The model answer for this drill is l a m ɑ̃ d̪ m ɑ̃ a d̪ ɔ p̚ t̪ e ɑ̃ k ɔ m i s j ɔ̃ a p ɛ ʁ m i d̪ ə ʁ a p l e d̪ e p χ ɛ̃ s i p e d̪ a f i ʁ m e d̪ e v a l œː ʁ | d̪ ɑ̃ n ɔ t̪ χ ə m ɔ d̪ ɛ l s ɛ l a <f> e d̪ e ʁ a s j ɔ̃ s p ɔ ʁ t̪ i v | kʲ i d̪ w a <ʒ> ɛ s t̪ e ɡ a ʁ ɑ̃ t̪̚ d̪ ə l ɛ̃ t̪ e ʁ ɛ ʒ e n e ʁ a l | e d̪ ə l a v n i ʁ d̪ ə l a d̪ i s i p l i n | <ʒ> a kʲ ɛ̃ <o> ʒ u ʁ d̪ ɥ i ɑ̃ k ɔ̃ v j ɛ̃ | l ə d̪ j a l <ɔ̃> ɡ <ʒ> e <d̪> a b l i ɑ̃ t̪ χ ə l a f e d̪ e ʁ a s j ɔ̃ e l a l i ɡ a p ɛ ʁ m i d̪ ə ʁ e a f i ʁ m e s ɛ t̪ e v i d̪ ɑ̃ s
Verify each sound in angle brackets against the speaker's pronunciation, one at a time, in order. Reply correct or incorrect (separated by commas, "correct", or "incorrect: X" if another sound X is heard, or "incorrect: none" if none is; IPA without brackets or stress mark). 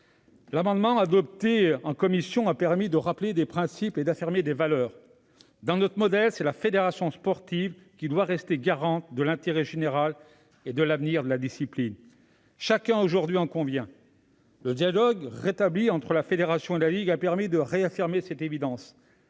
correct, incorrect: ʁ, incorrect: ʃ, correct, incorrect: ɔ, incorrect: ʁ, incorrect: t̪